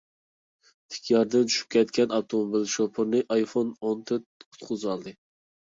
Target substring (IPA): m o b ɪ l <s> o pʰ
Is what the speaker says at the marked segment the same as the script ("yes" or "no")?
no